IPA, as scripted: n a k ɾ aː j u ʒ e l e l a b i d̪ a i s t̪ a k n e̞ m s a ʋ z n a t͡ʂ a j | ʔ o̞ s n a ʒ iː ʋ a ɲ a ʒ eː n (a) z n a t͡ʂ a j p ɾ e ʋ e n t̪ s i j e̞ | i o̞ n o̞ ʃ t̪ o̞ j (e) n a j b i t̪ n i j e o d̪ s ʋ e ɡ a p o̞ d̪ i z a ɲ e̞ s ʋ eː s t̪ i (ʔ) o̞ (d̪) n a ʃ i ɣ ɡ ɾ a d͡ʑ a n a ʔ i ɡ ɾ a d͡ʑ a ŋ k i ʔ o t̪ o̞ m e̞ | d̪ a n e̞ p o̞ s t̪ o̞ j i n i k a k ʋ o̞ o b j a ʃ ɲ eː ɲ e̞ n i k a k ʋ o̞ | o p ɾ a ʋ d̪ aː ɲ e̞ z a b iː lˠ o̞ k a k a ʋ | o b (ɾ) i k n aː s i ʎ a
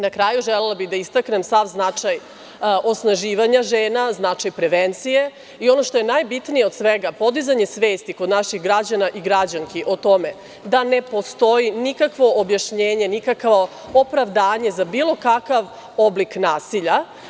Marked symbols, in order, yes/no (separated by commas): yes, yes, no, yes, no